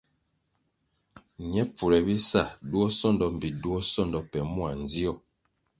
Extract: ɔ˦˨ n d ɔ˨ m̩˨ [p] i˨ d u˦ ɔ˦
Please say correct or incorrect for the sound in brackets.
incorrect